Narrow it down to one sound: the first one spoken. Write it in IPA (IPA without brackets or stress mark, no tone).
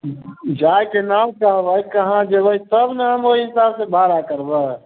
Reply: d͡ʒ